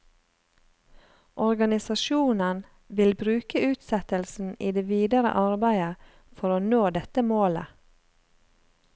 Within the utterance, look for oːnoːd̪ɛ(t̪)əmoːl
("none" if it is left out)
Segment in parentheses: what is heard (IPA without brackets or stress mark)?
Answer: t̪